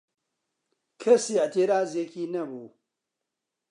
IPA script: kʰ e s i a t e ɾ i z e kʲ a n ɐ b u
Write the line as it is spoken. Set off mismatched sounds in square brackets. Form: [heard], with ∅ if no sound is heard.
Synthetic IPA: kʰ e s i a t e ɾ [a] z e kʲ [i] n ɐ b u